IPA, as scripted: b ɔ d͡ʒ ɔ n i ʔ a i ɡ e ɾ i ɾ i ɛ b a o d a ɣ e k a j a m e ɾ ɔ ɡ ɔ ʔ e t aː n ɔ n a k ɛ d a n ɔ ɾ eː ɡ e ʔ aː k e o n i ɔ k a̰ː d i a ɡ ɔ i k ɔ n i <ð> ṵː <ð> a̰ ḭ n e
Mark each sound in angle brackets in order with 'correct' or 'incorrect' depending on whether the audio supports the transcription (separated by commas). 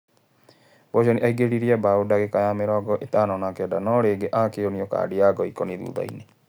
correct, correct